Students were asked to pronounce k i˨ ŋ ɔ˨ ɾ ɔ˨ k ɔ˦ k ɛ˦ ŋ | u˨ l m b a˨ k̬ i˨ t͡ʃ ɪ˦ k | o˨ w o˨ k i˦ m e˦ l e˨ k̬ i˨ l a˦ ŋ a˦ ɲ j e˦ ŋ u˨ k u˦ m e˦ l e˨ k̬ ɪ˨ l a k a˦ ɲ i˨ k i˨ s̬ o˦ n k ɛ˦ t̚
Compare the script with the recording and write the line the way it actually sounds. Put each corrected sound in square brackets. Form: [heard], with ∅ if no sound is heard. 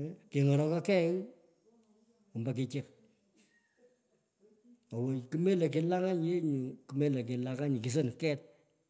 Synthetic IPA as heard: k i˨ ŋ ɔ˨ ɾ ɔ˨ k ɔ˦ k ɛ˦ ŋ | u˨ [∅] m b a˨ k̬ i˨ t͡ʃ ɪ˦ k | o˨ w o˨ k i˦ m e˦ l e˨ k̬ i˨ l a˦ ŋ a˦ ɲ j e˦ [ɲ] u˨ k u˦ m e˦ l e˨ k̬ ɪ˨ l a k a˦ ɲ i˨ k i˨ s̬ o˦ n k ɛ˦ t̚